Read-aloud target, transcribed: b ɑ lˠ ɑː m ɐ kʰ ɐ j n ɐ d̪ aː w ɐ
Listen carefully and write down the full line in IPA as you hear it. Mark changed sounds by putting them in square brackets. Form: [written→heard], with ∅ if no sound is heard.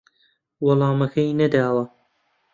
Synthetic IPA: [b→w] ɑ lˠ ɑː m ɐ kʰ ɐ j n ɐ d̪ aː w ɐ